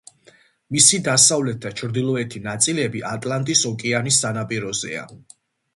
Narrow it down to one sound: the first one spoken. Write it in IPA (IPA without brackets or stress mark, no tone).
m